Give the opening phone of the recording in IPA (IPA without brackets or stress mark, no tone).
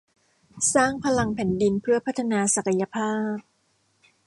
s